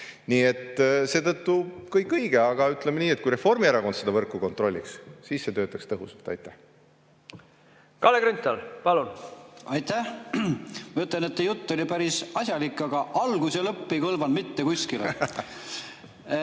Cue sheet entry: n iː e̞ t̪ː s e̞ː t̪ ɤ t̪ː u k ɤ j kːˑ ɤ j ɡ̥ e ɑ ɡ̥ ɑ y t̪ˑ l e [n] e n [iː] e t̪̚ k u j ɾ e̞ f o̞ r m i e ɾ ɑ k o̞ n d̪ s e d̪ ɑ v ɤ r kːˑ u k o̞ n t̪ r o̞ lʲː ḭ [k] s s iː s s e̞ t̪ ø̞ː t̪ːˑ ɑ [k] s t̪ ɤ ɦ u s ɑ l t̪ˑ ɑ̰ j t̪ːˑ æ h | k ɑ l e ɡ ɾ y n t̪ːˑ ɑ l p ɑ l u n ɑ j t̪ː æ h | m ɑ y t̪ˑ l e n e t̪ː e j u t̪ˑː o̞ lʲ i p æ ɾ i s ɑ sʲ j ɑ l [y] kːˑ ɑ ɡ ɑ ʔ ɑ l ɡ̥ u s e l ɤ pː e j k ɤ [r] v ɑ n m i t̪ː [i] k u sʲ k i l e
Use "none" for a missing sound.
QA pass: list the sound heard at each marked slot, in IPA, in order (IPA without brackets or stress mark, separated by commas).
m, iː, k, k, i, l, e